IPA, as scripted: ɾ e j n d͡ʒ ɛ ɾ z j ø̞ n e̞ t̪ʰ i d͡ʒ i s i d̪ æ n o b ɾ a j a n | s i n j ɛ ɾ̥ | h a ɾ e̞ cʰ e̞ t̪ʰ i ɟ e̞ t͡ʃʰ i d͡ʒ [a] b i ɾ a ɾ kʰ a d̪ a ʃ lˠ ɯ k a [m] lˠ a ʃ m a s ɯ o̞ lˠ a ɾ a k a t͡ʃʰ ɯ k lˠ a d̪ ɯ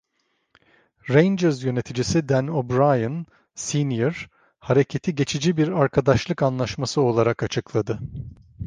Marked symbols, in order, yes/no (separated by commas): no, no